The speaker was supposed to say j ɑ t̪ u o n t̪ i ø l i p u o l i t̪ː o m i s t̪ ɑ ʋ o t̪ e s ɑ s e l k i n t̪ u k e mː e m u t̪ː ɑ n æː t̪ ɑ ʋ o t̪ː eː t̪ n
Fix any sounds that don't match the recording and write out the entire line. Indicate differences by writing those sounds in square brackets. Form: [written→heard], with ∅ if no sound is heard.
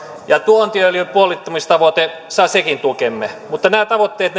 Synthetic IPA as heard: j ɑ t̪ u o n t̪ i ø l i p u o l i t̪ː o m i s t̪ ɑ ʋ o t̪ e s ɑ s e [l→∅] k i n t̪ u k e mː e m u t̪ː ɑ n æː t̪ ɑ ʋ o t̪ː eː t̪ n